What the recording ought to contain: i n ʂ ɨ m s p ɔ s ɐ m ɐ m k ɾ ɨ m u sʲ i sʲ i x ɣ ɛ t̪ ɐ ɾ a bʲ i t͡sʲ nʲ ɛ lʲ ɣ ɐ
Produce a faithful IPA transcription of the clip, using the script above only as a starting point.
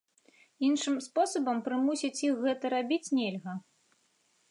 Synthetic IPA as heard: i n ʂ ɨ m s p ɔ s ɐ b ɐ m p ɾ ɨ m u sʲ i t͡sʲ i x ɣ ɛ t̪ ɐ ɾ a bʲ i t͡sʲ nʲ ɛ lʲ ɣ ɐ